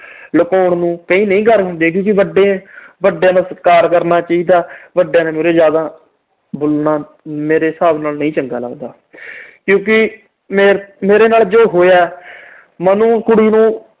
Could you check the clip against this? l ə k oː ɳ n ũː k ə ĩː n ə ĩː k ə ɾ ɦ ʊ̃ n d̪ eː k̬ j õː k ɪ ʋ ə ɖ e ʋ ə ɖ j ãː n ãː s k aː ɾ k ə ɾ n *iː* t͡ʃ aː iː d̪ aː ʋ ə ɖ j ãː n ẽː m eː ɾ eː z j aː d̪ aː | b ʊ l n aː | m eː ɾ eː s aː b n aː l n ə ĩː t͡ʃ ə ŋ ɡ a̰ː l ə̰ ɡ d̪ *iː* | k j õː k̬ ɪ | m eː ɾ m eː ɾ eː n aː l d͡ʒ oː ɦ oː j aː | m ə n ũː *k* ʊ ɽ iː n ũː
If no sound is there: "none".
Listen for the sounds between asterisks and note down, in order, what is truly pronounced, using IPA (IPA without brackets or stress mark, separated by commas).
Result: aː, aː, k